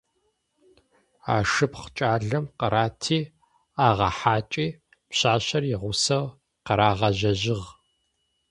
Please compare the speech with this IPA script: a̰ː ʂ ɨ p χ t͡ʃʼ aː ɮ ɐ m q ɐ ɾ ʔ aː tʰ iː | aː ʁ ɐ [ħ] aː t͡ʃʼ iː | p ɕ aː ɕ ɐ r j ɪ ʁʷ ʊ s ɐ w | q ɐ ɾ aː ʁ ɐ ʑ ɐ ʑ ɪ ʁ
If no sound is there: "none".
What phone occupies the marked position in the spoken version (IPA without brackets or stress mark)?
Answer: ħ